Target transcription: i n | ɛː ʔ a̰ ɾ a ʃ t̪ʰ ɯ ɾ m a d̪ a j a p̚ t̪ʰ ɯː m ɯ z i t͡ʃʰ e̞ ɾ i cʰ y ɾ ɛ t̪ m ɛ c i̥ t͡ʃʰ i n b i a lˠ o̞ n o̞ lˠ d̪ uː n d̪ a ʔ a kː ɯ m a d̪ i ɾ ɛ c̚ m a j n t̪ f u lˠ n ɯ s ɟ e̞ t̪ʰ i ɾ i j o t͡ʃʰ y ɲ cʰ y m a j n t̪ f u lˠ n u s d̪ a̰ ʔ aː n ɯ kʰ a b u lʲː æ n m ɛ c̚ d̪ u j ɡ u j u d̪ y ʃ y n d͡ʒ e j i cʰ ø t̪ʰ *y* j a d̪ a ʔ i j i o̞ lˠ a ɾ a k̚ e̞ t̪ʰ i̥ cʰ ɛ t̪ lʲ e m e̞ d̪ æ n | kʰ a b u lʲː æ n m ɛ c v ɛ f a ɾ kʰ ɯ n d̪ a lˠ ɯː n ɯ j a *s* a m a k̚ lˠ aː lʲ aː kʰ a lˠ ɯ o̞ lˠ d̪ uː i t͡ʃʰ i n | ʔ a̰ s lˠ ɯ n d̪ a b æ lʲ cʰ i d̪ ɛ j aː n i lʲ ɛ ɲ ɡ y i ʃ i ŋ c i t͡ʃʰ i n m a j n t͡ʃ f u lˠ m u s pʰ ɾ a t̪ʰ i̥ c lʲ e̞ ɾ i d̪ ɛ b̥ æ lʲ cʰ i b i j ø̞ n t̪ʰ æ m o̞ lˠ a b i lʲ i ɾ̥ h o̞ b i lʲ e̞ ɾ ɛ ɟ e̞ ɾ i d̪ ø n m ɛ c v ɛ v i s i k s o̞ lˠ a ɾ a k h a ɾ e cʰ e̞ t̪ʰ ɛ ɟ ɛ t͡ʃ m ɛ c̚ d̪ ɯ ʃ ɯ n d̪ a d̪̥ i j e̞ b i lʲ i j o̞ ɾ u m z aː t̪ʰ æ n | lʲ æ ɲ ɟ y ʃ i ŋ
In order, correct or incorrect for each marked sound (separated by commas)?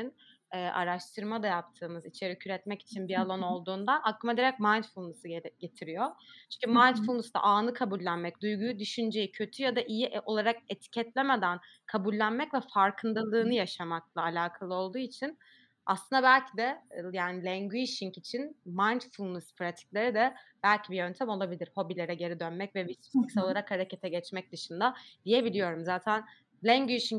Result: correct, incorrect